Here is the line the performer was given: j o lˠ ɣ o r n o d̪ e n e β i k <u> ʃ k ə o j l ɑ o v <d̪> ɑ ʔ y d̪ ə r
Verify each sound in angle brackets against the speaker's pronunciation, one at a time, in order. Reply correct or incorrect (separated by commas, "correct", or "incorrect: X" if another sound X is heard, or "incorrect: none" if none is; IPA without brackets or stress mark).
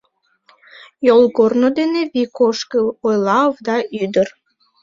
incorrect: o, correct